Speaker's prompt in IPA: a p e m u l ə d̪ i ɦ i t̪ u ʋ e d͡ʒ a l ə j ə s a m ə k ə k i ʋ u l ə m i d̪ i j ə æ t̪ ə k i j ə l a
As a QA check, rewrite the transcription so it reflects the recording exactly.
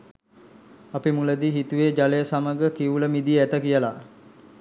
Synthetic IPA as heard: a p i m u l ə d̪ i ɦ i t̪ u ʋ e d͡ʒ a l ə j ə s a m ə ɡ ə k i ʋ u l ə m i d̪ i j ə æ t̪ ə k i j ə l a